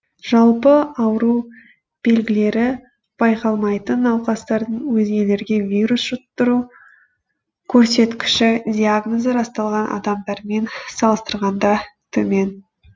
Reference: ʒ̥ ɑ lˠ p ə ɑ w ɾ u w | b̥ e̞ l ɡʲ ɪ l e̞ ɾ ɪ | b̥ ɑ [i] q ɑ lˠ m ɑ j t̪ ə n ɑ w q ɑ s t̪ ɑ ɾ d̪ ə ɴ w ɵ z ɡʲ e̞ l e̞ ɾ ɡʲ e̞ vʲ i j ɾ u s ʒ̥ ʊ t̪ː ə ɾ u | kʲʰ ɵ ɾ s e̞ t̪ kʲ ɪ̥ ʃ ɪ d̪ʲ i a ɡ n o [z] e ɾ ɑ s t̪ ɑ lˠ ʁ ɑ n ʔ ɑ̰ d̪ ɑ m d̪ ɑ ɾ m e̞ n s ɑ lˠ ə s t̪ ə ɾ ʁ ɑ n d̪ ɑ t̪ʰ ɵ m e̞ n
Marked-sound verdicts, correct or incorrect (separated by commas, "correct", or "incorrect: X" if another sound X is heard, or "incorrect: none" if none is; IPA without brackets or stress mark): incorrect: j, correct